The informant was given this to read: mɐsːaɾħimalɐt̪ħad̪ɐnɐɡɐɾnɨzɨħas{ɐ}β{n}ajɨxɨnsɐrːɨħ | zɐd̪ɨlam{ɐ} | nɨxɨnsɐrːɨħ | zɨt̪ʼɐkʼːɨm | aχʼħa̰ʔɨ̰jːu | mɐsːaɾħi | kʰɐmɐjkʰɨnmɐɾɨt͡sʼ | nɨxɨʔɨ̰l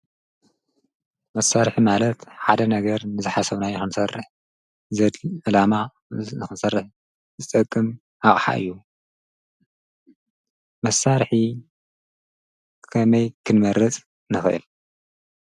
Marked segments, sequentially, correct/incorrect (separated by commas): correct, correct, incorrect